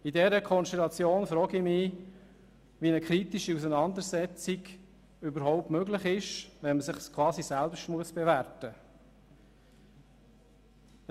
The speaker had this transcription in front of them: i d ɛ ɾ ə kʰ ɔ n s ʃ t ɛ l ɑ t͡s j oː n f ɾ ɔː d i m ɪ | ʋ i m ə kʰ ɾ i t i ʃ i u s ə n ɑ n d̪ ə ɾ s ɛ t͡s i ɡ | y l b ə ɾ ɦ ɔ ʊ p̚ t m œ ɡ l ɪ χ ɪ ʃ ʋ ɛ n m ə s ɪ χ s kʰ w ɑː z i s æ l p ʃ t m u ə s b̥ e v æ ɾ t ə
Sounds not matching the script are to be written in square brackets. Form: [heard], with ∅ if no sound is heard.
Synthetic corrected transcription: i d ɛ ɾ ə kʰ ɔ n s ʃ t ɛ l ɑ t͡s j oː n f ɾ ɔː [ɡ] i m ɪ | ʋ i [n] ə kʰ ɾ i t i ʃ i u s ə n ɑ n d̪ ə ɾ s ɛ t͡s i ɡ | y [∅] b ə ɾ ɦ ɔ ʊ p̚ t m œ ɡ l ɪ χ ɪ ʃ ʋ ɛ n m ə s ɪ χ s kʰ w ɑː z i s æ l p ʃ t m u ə s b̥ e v æ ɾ t ə

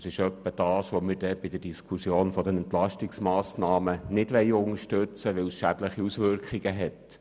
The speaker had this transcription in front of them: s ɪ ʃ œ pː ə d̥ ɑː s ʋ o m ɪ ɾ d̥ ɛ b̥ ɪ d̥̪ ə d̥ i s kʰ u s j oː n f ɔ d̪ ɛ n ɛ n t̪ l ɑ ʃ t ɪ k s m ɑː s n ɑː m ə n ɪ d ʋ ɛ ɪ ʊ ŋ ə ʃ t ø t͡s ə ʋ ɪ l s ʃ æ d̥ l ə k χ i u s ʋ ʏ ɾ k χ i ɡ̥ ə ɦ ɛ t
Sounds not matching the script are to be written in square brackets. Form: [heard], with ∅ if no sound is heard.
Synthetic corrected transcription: s ɪ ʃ œ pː ə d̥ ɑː s ʋ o m ɪ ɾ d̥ ɛ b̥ ɪ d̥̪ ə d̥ i s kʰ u s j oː n f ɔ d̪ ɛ n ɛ n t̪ l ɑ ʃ t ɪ k s m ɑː s n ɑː m ə n ɪ d ʋ ɛ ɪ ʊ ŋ ə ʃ t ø t͡s ə ʋ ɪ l s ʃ æ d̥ l ə [∅] χ i u s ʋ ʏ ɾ k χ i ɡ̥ ə ɦ ɛ t

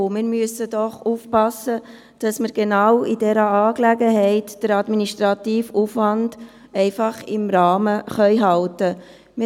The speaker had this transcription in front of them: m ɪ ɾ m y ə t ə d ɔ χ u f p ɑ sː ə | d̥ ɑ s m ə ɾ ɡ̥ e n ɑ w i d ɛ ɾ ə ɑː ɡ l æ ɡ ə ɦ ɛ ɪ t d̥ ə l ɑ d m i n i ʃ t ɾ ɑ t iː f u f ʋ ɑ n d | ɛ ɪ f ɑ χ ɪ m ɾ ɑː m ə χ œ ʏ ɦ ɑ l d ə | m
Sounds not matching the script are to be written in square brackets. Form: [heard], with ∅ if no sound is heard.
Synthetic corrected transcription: m ɪ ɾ m y ə [s] ə d ɔ χ u f p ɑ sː ə | d̥ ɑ s m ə ɾ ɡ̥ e n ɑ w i d ɛ ɾ ə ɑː [k] l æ ɡ ə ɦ ɛ ɪ t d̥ ə [ɾ] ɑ d m i n i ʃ t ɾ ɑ t iː f u f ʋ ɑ n d | ɛ ɪ f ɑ χ ɪ m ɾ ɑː m ə χ œ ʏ ɦ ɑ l [t] ə | m

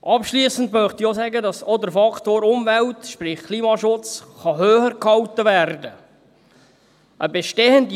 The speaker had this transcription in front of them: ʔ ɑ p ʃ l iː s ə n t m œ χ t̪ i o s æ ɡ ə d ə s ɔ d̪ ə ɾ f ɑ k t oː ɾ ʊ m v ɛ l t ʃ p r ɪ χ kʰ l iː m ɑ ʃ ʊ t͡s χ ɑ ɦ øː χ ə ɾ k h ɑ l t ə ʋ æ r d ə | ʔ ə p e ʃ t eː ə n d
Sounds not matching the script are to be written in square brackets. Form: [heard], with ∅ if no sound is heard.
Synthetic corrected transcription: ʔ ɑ p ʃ l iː s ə n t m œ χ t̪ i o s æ ɡ ə d [ɑ] s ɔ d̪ ə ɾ f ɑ k t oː ɾ ʊ m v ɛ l t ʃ p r ɪ χ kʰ l iː m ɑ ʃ ʊ t͡s χ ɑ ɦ øː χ ə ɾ k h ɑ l t ə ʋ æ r d ə | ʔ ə [b] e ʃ t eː ə n d

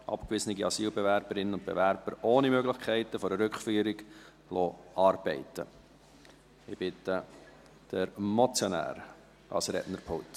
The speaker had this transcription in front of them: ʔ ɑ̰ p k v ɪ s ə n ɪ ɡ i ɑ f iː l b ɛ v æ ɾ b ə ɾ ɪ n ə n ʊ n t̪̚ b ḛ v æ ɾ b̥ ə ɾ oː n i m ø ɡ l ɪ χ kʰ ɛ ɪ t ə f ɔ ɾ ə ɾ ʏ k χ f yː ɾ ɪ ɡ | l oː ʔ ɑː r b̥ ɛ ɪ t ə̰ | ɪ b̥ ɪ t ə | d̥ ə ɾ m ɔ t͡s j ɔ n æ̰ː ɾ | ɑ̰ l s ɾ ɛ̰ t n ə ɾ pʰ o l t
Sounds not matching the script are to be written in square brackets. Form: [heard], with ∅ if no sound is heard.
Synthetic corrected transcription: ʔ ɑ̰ p k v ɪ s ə n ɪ ɡ i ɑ [s] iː l b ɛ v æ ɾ b ə ɾ ɪ n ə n ʊ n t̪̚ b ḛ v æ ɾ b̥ ə ɾ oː n i m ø ɡ l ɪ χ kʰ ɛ ɪ t ə f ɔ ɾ ə ɾ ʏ k χ f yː ɾ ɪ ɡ | l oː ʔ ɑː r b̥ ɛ ɪ t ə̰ | ɪ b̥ ɪ t ə | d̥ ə ɾ m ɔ t͡s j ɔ n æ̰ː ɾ | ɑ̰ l s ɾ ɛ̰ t n ə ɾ pʰ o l t

